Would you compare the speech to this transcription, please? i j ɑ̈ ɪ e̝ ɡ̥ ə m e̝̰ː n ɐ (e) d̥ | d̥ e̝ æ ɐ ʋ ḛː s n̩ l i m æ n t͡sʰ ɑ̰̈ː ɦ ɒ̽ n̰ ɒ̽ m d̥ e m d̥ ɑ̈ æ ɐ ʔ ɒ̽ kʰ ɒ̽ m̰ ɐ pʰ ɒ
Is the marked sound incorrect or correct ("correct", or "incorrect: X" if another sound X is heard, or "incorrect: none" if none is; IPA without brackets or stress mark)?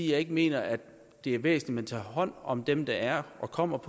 incorrect: æ